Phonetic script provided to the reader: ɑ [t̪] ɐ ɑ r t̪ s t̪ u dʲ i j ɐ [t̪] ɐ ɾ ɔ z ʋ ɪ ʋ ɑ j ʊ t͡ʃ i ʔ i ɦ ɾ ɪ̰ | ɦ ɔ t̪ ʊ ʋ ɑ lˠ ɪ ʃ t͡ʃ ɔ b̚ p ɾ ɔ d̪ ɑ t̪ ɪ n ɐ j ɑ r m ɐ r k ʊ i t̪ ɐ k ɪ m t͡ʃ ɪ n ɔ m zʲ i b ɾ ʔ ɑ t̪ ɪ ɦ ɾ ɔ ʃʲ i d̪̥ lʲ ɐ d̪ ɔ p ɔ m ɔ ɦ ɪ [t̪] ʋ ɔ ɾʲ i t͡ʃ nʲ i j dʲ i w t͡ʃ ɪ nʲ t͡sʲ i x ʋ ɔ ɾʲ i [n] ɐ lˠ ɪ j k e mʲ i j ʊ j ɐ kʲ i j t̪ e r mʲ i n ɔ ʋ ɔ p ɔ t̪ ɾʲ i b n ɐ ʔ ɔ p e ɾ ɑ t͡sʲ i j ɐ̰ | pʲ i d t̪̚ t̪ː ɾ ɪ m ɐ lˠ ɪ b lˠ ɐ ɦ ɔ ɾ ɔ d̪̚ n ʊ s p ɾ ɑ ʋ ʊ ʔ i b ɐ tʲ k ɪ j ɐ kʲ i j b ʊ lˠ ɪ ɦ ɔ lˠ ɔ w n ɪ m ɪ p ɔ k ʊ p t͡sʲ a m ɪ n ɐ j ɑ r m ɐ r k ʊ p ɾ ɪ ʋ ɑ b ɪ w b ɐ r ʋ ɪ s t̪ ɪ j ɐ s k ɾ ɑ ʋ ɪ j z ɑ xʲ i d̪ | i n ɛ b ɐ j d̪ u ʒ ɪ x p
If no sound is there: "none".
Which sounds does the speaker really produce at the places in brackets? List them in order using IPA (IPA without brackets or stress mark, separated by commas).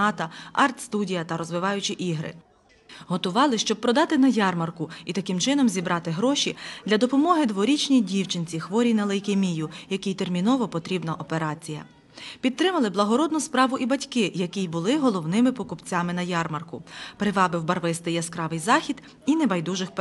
t̪, t̪, d̪, n